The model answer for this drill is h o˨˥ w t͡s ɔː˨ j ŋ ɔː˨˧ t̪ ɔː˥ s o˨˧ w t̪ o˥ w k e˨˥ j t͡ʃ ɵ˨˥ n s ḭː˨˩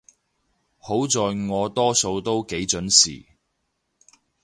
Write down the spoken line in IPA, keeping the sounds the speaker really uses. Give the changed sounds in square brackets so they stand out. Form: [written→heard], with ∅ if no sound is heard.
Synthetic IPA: h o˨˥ w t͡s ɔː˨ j ŋ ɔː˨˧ t̪ ɔː˥ s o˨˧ w t̪ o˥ w k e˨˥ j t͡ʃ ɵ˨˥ n s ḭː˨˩